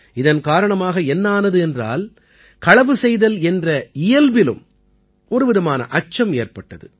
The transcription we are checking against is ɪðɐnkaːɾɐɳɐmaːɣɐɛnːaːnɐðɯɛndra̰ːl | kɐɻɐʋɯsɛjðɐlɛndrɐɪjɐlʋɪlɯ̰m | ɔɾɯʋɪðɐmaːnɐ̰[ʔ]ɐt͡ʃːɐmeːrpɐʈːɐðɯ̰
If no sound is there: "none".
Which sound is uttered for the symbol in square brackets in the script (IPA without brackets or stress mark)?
ʔ